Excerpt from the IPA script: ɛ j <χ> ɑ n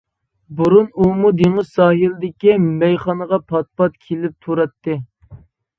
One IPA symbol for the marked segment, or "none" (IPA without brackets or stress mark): χ